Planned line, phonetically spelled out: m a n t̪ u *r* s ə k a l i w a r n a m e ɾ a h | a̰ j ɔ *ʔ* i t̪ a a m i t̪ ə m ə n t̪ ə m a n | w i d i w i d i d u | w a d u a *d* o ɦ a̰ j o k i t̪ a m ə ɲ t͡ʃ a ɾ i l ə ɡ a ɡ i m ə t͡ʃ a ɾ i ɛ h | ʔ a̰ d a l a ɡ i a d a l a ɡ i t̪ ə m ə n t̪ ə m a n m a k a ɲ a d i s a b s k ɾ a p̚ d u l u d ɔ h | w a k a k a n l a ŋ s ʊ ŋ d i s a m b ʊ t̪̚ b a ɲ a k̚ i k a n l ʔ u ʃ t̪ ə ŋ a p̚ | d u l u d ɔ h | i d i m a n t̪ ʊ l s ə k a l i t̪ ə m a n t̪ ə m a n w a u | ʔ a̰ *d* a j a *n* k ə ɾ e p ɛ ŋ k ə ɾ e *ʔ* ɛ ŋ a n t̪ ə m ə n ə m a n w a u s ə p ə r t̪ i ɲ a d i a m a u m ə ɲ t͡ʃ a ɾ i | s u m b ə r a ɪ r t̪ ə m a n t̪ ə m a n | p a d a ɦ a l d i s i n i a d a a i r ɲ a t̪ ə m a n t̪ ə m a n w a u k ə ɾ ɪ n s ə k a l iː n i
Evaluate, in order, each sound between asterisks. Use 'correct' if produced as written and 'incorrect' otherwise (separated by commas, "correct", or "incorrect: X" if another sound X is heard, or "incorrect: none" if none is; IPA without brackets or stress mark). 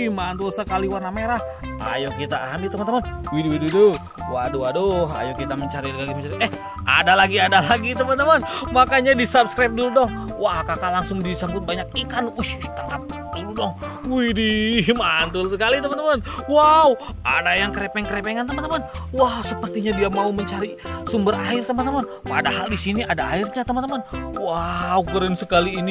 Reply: incorrect: l, incorrect: k, correct, correct, incorrect: ŋ, incorrect: p